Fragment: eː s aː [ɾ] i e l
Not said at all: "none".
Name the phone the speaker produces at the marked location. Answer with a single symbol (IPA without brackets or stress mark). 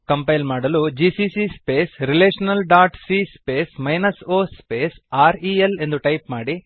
ɾ